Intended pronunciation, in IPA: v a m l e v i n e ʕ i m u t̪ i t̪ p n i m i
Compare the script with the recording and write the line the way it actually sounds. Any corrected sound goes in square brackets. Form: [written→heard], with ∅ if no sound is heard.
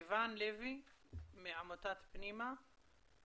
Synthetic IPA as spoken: v a [m→n] l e v i [n→m] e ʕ [i→a] m [u→o] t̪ [i→a] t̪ p n i m [i→a]